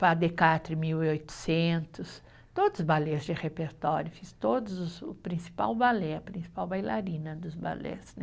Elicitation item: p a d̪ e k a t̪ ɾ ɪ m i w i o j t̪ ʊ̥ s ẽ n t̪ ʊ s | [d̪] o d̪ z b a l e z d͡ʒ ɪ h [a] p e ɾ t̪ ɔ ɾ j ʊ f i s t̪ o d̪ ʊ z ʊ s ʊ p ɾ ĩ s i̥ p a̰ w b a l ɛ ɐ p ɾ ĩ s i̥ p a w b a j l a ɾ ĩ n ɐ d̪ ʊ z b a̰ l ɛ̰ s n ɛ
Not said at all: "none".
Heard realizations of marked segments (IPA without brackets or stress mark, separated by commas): t̪, e